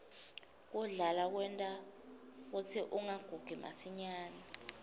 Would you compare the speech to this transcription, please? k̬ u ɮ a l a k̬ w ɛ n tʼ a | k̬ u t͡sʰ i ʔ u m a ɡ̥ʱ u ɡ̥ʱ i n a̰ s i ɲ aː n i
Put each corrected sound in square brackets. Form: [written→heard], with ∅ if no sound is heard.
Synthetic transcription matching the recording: k̬ u ɮ a l a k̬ w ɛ n tʼ a | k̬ u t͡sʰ i ʔ u [m→ŋ] a ɡ̥ʱ u ɡ̥ʱ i [n→m] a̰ s i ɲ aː n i